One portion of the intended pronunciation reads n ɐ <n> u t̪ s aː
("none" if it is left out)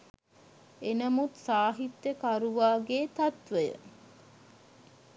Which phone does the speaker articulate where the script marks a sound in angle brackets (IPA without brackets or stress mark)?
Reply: m